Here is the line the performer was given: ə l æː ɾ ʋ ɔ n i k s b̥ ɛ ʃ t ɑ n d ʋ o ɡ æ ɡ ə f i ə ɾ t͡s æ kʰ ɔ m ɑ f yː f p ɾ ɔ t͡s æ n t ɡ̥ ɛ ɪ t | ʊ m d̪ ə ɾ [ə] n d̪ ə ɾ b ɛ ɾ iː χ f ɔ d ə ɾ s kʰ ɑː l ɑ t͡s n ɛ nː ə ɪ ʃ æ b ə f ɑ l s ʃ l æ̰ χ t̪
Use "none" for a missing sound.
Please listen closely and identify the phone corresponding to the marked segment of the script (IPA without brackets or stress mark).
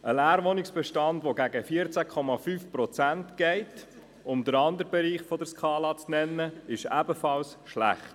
ɑ